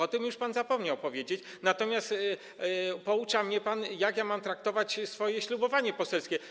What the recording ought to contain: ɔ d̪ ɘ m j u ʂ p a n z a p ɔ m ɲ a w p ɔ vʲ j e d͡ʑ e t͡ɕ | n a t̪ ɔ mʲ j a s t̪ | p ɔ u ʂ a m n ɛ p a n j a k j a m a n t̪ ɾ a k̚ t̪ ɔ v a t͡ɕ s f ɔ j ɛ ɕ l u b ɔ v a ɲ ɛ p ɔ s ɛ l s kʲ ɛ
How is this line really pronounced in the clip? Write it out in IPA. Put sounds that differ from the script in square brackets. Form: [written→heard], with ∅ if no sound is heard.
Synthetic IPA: ɔ [d̪→t̪] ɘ m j u ʂ p a n z a p ɔ m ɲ a w p ɔ vʲ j e d͡ʑ e t͡ɕ | n a t̪ ɔ mʲ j a s t̪ | p ɔ u [ʂ→t͡ʂ] a m [n→ɲ] ɛ p a n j a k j a m a [n→m] t̪ ɾ a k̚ t̪ ɔ v a t͡ɕ s f ɔ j ɛ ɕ l u b ɔ v a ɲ ɛ p ɔ s ɛ l s kʲ ɛ